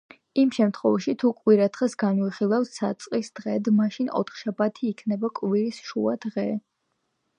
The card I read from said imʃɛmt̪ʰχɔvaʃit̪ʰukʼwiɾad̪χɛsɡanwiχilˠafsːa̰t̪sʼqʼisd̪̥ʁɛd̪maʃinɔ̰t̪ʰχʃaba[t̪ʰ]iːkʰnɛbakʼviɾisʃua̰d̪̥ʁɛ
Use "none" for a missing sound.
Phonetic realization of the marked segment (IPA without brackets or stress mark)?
t̪ʰ